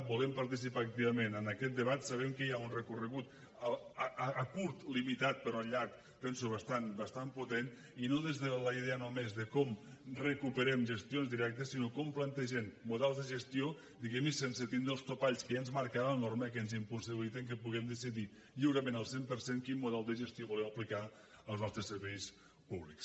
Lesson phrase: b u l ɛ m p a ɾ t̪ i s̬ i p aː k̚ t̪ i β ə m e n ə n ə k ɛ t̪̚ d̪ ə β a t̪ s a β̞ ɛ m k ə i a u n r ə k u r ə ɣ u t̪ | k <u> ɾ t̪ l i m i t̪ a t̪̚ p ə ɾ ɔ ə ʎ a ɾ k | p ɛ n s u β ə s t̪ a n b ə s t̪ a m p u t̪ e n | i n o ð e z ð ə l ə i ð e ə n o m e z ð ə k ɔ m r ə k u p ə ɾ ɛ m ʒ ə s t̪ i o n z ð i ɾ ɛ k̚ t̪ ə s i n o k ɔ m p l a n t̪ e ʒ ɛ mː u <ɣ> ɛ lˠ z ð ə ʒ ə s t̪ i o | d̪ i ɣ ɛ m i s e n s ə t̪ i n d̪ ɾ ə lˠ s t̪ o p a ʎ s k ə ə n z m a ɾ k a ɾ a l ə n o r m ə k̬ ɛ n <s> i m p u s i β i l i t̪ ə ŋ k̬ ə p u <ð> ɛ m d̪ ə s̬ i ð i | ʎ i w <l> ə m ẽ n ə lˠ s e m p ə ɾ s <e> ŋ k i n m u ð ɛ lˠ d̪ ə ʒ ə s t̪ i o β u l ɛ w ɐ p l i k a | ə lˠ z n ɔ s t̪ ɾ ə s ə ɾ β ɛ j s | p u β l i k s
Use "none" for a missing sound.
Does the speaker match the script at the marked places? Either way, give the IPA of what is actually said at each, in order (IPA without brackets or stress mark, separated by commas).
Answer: u, ð, z, ɣ, ɾ, e